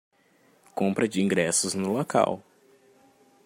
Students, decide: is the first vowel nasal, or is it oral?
nasal